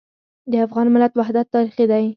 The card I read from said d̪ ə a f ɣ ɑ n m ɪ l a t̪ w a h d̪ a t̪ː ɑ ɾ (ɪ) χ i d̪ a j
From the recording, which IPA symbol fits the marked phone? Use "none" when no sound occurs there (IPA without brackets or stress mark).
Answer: i